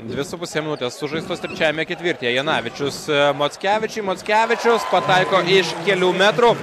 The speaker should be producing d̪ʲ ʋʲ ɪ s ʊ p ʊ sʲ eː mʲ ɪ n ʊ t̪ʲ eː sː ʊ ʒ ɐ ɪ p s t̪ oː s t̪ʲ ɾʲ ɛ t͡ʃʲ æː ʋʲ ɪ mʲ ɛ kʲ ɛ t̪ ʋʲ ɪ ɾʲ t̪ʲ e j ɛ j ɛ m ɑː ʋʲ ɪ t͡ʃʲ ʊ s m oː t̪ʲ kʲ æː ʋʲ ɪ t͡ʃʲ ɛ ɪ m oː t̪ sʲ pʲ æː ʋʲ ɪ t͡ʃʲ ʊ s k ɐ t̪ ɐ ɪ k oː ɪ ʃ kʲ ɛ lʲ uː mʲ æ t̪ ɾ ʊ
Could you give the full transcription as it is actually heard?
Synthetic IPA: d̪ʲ ʋʲ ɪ s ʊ p ʊ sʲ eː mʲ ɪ n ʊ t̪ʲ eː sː ʊ ʒ ɐ ɪ s t̪ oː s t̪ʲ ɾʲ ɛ t͡ʃʲ æː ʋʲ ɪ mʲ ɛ kʲ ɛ t̪ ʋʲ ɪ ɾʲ t̪ʲ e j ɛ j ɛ n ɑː ʋʲ ɪ t͡ʃʲ ʊ s m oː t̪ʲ kʲ æː ʋʲ ɪ t͡ʃʲ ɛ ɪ m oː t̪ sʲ kʲ æː ʋʲ ɪ t͡ʃʲ ʊ s p ɐ t̪ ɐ ɪ k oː ɪ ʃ kʲ ɛ lʲ uː mʲ æ t̪ ɾ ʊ